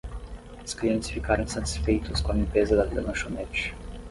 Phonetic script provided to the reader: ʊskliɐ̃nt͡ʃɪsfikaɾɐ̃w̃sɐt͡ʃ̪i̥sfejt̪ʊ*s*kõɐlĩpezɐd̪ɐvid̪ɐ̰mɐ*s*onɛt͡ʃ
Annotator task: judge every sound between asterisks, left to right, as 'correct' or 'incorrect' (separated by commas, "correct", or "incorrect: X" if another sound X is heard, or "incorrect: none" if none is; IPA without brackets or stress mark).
correct, incorrect: ʃ